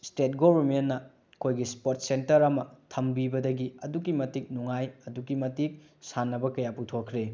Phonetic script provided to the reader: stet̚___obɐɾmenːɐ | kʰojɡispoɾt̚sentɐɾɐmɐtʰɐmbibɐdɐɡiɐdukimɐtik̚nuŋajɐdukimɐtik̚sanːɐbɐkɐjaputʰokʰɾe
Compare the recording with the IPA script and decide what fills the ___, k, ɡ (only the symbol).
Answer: ɡ